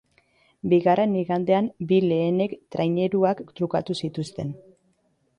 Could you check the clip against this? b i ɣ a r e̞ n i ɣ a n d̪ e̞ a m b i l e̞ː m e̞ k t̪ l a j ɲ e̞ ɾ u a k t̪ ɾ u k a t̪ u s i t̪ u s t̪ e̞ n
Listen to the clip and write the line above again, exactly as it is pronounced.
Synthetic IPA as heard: b i ɣ a r e̞ n i ɣ a n d̪ e̞ a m b i l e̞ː n e̞ k t̪ ɾ a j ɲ e̞ ɾ u a k t̪ ɾ u k a t̪ u s i t̪ u s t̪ e̞ n